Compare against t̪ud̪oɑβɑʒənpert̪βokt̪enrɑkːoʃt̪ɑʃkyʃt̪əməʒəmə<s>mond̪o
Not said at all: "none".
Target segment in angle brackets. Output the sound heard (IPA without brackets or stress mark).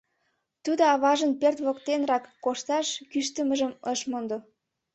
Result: ʃ